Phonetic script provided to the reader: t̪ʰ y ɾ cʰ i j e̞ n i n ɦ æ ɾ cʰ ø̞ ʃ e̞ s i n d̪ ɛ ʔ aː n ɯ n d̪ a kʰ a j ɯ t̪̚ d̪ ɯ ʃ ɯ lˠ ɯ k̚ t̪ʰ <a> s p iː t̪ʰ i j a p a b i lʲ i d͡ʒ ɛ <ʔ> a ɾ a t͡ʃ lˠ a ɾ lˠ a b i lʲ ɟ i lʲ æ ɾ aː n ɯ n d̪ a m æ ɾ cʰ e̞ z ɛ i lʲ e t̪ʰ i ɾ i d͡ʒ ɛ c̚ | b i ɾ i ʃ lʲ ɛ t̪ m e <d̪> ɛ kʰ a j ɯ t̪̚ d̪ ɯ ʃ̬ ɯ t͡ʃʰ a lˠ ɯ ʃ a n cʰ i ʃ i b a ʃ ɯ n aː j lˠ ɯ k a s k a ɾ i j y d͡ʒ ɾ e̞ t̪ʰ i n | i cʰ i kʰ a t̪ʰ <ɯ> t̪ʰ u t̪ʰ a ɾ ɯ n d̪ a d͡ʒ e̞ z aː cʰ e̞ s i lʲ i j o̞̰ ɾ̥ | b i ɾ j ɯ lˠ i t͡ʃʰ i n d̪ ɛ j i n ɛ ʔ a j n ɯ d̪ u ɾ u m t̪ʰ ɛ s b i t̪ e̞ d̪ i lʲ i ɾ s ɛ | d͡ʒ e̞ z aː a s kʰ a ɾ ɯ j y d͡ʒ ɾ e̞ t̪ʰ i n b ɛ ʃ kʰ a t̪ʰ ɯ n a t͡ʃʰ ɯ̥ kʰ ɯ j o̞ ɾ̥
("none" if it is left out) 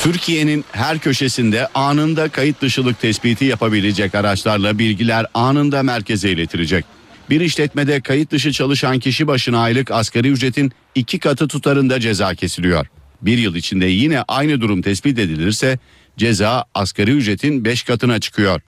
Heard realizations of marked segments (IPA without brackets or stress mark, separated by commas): ɛ, c, d̪, ɯ